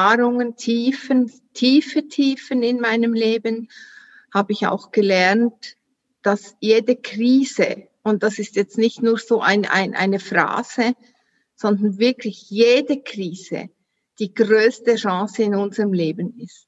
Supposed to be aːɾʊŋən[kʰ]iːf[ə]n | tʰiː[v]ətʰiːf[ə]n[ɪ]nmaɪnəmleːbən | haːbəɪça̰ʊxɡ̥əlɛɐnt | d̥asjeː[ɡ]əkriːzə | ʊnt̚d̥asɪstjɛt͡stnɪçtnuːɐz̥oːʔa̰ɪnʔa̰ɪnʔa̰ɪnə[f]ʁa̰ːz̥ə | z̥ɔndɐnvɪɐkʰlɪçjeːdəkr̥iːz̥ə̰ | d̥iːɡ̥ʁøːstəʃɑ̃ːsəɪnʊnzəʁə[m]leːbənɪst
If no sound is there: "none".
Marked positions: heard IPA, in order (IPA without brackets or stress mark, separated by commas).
tʰ, ə, f, ə, ɪ, d, f, m